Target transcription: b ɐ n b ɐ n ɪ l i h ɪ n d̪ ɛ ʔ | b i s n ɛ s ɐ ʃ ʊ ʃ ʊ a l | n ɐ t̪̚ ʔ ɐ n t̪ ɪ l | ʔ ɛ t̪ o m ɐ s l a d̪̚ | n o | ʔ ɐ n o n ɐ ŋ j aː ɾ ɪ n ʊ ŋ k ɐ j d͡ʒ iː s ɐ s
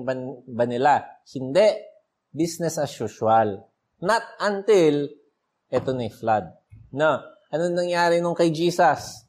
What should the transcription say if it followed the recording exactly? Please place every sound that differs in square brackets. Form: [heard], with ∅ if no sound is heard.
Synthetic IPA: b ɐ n b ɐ n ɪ l [a] h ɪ n d̪ ɛ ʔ | b i s n ɛ s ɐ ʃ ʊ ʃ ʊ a l | n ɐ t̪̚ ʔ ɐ n t̪ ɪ l | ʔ ɛ t̪ o [n] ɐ [f] l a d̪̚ | n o | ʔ ɐ n o n ɐ ŋ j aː ɾ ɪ n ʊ ŋ k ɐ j d͡ʒ iː s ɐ s